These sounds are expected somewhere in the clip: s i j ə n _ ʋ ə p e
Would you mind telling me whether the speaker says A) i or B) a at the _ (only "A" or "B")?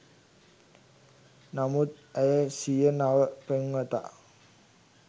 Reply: B